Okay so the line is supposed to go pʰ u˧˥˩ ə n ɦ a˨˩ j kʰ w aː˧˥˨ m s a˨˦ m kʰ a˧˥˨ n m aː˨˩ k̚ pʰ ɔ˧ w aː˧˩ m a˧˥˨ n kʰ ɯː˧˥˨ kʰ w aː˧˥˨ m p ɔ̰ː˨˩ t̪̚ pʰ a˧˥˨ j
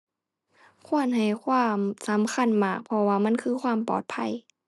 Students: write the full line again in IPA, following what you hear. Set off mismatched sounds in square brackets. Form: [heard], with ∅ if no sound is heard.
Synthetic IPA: [kʰ] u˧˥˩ ə n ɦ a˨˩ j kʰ w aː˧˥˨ m s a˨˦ m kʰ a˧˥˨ n m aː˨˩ k̚ pʰ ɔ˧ w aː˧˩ m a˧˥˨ n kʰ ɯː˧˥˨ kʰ w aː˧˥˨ m p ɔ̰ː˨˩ t̪̚ pʰ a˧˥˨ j

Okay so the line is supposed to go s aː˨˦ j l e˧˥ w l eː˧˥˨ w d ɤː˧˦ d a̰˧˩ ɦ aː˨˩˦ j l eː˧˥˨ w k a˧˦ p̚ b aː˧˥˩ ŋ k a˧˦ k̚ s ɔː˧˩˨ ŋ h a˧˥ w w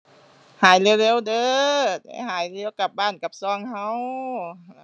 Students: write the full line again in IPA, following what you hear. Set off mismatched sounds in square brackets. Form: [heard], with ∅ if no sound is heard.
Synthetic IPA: [h] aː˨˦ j l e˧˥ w l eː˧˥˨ w d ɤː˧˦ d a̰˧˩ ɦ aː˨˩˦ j l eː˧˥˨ w k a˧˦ p̚ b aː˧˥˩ [n] k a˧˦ [p̚] s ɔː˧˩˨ ŋ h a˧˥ w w

